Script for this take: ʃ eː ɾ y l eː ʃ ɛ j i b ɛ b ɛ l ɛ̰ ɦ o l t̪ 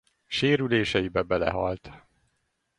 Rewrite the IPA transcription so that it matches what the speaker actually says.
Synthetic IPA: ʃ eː ɾ y l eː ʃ ɛ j i b ɛ b ɛ l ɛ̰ ɦ ɒ l t̪